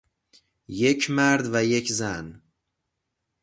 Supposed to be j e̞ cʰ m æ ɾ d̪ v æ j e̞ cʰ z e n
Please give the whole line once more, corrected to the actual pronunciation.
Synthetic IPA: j e̞ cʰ m æ ɾ d̪ v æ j e̞ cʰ z æ n